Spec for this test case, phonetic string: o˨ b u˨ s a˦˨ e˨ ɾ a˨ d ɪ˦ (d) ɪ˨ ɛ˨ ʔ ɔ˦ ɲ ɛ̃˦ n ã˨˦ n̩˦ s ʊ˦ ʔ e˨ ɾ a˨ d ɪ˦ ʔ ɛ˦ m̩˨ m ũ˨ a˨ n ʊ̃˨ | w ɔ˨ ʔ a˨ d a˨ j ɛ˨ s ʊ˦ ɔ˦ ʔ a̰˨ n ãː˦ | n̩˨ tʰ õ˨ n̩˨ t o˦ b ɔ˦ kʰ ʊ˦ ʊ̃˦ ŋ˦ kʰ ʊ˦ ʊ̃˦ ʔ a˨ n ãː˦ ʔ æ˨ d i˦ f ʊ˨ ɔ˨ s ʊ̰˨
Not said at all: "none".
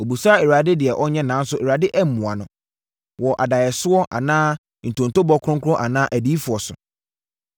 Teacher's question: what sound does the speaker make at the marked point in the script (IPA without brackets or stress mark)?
d